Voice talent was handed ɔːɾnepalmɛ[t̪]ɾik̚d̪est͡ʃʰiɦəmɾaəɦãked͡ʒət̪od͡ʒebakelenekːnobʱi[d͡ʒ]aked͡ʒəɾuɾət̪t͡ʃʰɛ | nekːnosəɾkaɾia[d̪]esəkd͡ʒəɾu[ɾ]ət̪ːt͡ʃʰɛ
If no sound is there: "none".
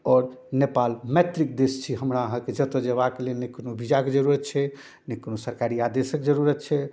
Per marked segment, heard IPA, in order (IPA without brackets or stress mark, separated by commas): t̪, d͡ʒ, d̪, ɾ